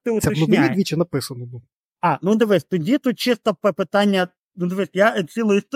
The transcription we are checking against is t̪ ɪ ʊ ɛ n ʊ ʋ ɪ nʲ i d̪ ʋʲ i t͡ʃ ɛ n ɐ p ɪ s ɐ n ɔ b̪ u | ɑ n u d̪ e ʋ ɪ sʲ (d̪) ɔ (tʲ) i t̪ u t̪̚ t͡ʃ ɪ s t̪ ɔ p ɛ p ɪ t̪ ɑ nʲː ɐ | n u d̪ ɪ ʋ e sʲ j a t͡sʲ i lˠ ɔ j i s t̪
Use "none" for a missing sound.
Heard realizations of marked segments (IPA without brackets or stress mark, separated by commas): t̪, dʲ